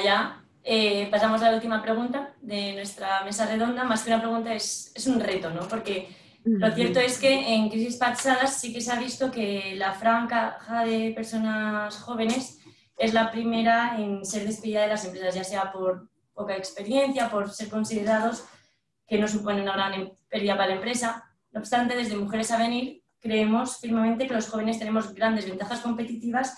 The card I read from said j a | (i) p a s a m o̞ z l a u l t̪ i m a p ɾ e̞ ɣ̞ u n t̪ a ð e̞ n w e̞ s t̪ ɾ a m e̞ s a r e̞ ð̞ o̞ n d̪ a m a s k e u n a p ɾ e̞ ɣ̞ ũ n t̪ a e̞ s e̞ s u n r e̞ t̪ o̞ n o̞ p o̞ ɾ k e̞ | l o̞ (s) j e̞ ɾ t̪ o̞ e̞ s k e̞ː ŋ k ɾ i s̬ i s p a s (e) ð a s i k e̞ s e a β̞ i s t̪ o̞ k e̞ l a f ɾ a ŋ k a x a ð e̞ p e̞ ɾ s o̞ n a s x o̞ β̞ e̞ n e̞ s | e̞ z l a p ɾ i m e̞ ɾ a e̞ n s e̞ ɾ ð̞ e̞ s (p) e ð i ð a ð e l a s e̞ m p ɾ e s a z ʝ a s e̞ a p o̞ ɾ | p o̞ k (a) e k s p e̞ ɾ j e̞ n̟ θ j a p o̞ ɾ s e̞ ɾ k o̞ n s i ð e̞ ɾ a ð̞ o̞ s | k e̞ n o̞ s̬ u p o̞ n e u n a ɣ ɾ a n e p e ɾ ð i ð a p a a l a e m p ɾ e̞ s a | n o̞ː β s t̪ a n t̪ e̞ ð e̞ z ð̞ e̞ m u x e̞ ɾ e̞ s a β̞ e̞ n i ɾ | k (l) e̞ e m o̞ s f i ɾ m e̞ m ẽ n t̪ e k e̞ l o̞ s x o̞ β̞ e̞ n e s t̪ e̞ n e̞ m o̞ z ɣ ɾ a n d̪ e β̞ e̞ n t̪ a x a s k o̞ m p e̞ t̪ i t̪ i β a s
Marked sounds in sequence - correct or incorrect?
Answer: incorrect, incorrect, incorrect, correct, correct, incorrect

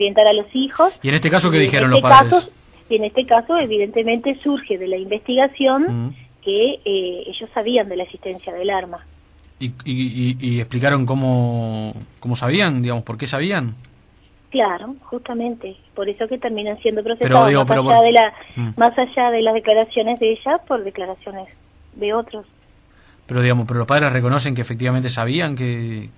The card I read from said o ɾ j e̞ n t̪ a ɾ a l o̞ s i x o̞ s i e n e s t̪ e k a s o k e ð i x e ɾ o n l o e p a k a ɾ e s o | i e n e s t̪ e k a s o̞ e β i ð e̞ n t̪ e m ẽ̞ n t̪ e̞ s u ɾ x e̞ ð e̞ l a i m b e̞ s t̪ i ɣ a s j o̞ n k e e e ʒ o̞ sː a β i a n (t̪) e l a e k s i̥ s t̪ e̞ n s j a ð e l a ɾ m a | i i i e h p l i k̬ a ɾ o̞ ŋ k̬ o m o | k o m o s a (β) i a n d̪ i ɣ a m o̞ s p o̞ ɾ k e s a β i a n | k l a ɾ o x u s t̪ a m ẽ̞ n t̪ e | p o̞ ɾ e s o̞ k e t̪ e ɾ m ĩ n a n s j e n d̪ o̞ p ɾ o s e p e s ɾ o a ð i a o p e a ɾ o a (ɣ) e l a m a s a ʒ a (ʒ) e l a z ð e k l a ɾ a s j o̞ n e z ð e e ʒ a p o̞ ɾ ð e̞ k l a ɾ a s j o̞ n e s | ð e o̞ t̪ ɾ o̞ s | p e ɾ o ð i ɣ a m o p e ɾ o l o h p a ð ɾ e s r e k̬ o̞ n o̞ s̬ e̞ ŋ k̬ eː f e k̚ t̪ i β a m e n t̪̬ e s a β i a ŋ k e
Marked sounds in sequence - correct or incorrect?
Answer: incorrect, correct, incorrect, incorrect

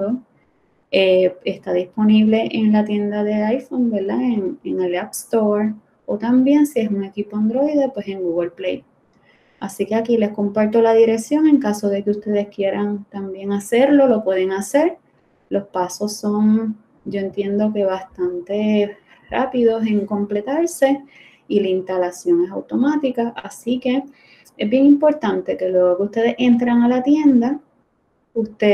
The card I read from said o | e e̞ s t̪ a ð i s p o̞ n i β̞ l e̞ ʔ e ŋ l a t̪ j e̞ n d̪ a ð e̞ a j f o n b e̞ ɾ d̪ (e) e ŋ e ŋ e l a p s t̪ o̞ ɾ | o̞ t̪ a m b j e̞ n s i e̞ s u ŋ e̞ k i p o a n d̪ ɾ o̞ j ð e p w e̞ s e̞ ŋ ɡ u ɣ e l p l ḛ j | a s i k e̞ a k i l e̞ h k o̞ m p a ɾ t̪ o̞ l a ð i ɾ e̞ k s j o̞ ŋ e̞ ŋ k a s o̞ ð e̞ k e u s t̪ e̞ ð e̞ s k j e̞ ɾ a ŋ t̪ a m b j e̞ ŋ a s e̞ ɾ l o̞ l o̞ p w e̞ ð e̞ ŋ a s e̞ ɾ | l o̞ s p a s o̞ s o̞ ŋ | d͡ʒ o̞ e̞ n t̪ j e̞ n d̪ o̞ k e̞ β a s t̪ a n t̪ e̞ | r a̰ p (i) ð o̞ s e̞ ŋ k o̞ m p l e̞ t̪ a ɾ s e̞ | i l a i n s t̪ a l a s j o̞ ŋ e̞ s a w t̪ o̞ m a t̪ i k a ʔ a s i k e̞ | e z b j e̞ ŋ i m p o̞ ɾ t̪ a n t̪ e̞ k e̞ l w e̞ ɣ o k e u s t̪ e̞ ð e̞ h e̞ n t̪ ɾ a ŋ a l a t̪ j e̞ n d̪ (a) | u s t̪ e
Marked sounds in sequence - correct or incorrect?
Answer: incorrect, correct, correct

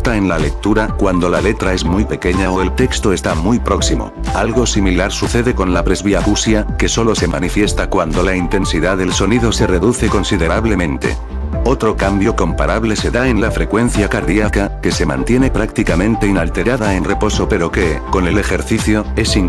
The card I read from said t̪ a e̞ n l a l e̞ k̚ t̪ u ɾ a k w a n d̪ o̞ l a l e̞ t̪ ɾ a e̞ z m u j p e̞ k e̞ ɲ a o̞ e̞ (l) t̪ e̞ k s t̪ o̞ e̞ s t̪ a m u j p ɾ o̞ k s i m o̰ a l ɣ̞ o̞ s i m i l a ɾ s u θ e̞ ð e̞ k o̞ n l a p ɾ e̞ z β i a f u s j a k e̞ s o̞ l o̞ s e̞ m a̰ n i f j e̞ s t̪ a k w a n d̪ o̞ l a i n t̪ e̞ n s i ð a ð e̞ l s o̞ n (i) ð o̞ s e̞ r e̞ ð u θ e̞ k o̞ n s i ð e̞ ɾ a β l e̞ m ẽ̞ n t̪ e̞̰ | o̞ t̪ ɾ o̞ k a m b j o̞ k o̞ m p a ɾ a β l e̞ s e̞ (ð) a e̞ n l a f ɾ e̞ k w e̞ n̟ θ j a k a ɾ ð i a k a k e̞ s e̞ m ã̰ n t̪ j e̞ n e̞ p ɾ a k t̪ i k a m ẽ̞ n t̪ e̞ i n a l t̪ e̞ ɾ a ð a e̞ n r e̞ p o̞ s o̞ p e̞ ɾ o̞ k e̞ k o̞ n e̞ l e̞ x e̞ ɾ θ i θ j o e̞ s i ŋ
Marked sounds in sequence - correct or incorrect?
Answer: correct, correct, correct

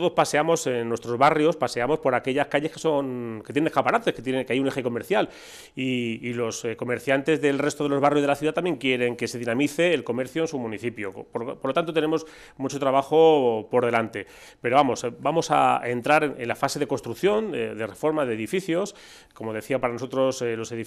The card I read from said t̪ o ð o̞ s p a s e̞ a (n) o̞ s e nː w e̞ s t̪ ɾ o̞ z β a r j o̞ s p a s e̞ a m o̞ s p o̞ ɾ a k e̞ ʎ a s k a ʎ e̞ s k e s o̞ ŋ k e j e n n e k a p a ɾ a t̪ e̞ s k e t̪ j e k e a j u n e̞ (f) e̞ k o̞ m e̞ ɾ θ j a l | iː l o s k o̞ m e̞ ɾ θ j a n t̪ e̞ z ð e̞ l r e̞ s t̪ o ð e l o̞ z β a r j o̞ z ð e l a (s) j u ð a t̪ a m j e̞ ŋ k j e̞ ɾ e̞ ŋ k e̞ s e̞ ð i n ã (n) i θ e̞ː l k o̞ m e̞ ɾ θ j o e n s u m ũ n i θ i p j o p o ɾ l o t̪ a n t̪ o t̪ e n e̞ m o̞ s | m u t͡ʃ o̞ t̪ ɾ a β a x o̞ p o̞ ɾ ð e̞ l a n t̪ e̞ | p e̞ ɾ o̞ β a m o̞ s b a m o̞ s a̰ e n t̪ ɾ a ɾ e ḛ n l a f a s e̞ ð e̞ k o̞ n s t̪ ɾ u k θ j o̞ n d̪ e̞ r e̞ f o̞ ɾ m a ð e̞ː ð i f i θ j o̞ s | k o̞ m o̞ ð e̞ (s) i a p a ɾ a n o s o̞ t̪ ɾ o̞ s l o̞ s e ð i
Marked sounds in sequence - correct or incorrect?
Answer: incorrect, incorrect, incorrect, incorrect, incorrect

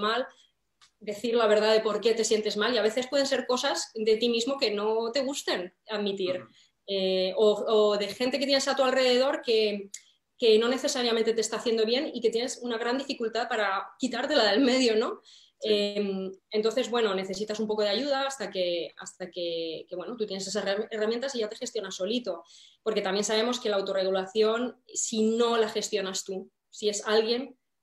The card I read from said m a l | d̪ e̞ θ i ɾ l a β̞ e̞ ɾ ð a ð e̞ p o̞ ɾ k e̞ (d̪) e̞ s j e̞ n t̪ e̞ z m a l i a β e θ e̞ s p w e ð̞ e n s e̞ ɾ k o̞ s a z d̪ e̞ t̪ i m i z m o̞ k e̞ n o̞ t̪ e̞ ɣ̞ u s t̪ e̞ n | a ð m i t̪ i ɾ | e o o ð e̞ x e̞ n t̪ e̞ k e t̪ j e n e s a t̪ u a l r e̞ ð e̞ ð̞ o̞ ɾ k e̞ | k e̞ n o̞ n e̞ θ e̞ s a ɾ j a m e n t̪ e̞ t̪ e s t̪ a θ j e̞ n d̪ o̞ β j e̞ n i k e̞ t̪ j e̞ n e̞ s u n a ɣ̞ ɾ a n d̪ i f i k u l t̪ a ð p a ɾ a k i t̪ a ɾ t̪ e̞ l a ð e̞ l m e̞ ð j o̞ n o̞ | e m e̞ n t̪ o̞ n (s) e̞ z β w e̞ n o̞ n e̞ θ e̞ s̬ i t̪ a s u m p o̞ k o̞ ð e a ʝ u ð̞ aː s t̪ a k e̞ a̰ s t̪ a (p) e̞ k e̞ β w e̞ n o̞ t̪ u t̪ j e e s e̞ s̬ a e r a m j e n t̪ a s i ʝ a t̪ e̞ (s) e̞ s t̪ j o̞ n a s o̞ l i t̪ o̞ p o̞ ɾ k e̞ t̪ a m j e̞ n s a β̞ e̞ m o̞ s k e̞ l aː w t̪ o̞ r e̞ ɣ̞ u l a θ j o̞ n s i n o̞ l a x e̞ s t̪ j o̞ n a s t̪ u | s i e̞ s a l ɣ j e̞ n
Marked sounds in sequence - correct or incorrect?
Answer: incorrect, incorrect, incorrect, incorrect

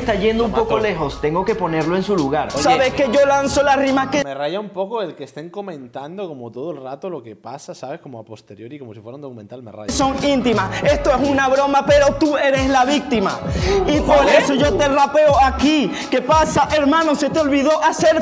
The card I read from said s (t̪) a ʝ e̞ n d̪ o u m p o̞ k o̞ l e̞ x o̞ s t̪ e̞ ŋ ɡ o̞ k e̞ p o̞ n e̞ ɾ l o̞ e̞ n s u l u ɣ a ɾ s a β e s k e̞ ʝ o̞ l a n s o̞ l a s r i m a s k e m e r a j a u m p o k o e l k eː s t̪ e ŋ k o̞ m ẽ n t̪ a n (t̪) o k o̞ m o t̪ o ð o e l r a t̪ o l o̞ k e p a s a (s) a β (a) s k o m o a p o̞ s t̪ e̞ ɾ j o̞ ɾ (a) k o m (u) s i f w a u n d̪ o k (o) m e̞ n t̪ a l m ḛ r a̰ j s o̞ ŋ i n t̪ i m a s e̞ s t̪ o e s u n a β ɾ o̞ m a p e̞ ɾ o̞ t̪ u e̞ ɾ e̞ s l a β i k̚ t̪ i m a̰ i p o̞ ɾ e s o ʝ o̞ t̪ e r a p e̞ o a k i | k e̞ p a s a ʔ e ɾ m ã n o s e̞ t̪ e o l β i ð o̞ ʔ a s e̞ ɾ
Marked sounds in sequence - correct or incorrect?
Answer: correct, incorrect, correct, incorrect, incorrect, incorrect, incorrect

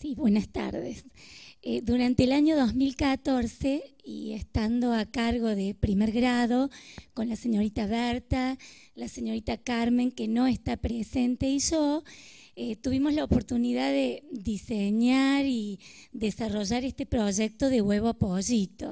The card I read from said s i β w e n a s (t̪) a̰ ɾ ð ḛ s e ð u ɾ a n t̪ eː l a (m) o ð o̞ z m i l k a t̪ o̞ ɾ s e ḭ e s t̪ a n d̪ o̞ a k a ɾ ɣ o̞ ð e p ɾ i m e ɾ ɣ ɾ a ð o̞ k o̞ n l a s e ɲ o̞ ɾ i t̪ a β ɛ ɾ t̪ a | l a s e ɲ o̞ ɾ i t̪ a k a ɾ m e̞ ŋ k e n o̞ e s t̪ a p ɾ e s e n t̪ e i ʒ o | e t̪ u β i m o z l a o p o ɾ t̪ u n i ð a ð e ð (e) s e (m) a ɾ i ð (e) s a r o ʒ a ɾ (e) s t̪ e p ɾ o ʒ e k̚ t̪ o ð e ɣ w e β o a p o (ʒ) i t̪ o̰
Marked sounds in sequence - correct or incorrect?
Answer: correct, incorrect, incorrect, incorrect, correct, correct, correct

